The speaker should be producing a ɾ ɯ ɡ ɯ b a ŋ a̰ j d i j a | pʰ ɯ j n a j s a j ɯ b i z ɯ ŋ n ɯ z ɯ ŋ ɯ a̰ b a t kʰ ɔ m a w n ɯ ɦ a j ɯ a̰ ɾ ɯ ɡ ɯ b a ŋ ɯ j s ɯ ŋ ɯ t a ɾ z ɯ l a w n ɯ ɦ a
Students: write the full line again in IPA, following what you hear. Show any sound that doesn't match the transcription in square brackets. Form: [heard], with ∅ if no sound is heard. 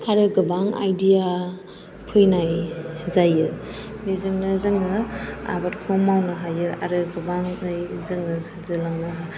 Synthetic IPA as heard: a ɾ ɯ ɡ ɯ b a ŋ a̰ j d i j a | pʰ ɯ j n a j [z] a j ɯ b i z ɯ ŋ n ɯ z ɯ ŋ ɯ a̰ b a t kʰ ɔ m a w n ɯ ɦ a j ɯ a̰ ɾ ɯ ɡ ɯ b a ŋ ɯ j [z] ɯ ŋ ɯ [s] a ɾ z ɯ l a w n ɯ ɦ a